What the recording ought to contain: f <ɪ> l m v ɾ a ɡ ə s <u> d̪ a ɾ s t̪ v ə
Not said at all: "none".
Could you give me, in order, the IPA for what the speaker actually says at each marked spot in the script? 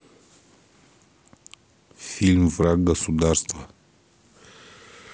i, u

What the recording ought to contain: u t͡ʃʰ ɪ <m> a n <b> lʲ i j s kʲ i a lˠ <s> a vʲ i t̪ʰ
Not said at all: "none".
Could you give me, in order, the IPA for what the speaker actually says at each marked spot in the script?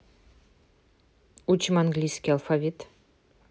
m, ɡ, f

